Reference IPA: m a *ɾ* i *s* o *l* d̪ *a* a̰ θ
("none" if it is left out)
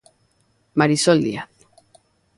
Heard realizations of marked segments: ɾ, s, l, i

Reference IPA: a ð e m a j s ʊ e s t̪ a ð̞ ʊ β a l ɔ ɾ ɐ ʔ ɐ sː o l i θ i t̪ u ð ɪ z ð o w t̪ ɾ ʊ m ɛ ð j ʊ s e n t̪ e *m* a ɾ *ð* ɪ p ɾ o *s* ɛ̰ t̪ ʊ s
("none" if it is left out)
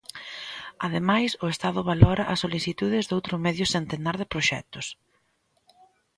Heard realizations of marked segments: n, ð, ʃ

